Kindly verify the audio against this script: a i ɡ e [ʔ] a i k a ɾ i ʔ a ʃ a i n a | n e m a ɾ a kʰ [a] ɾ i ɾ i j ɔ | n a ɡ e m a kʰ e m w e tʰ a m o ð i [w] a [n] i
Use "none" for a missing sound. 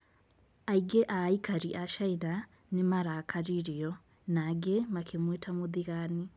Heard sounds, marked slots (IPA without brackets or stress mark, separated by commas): ʔ, a, ɣ, n